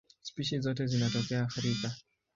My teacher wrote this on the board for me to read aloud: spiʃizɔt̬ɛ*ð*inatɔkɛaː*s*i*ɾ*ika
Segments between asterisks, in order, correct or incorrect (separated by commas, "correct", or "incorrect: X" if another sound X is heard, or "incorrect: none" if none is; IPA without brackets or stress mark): incorrect: z, incorrect: x, correct